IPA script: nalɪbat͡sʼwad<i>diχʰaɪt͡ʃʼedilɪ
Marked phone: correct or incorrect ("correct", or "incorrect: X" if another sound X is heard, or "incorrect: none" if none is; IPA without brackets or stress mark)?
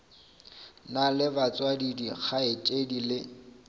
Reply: correct